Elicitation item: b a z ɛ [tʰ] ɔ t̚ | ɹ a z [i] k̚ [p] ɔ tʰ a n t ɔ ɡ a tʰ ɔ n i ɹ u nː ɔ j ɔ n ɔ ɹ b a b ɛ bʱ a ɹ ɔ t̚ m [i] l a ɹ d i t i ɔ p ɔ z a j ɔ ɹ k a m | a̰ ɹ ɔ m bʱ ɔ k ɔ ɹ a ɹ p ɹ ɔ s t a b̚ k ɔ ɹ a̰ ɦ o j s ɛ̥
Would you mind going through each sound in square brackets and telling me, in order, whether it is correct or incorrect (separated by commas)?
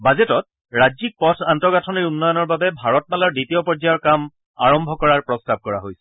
incorrect, correct, correct, incorrect